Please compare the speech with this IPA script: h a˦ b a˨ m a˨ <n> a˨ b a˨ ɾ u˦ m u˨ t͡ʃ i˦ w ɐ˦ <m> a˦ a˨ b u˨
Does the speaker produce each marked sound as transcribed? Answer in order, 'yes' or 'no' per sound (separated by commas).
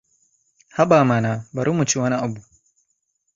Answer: yes, no